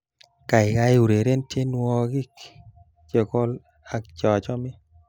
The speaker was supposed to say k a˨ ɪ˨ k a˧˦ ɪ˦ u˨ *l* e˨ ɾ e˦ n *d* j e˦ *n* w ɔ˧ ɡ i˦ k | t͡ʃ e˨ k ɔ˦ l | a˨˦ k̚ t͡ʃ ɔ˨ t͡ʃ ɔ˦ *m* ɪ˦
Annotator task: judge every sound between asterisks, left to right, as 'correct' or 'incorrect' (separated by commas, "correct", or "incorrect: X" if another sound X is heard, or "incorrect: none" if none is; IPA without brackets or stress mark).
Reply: incorrect: ɾ, incorrect: t, correct, correct